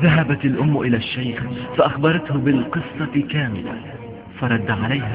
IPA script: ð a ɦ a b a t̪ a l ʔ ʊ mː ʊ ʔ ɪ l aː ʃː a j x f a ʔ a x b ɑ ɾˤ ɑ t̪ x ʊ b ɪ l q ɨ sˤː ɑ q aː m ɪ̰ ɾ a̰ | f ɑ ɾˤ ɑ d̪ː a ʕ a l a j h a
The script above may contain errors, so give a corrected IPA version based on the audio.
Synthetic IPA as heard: ð a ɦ a b a t̪ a l ʔ ʊ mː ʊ ʔ ɪ l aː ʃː a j x f a ʔ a x b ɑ ɾˤ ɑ t̪ h ʊ b ɪ l q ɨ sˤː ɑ k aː m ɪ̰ l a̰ | f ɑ ɾˤ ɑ d̪ː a ʕ a l a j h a